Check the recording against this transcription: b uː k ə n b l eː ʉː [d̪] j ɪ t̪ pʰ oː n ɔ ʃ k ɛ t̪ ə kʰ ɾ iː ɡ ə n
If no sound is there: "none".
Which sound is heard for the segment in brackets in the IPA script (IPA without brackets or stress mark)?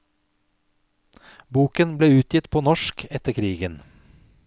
t̪